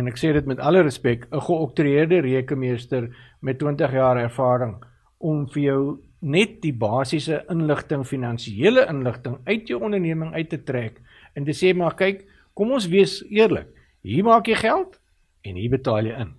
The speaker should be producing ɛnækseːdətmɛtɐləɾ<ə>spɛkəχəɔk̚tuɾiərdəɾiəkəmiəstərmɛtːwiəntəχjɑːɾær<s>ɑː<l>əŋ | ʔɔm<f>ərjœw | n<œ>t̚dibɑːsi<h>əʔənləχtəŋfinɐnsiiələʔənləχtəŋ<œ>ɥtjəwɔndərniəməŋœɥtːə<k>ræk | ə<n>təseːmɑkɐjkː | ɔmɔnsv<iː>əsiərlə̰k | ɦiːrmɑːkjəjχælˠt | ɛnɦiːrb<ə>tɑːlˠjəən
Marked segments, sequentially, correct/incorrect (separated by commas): correct, incorrect, incorrect, correct, incorrect, incorrect, correct, incorrect, correct, incorrect, correct